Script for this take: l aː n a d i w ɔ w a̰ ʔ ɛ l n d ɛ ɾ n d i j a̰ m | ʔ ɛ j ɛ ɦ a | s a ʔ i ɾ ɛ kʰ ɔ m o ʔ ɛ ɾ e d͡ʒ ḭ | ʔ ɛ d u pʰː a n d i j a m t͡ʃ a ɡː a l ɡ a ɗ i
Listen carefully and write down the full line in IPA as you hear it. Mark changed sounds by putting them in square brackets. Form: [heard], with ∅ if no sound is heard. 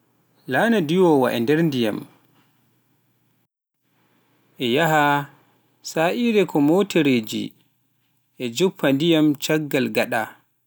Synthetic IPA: l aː n a d i w ɔ w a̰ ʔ ɛ [∅] n d ɛ ɾ n d i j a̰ m | ʔ ɛ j [a] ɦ a | s a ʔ i ɾ ɛ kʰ ɔ m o [t] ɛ ɾ e d͡ʒ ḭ | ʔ ɛ [d͡ʒ] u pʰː a n d i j a m t͡ʃ a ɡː a l ɡ a ɗ [a]